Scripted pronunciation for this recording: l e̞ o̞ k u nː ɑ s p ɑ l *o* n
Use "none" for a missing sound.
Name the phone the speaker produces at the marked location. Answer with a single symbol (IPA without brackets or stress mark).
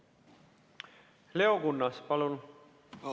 u